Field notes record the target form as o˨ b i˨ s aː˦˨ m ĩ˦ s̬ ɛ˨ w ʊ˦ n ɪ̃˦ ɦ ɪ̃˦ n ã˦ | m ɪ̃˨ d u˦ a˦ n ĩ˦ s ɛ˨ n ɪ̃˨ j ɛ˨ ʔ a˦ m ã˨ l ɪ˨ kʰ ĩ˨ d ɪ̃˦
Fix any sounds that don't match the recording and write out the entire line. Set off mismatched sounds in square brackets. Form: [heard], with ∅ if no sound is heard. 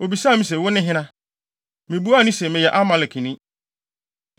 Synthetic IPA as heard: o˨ b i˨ s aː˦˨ m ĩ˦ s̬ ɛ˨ w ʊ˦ n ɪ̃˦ ɦ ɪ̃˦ n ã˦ | m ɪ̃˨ [b] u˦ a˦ n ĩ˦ s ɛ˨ [m] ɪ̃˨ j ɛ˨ ʔ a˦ m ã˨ l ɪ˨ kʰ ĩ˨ [n] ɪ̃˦